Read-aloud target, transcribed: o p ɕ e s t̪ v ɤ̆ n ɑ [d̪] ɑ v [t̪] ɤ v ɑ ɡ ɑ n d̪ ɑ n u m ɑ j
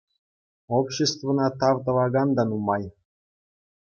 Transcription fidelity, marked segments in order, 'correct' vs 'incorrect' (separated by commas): incorrect, correct